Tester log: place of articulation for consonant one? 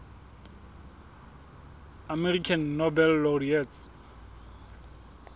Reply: labial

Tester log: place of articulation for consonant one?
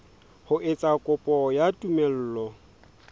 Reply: glottal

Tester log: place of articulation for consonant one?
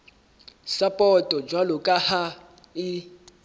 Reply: alveolar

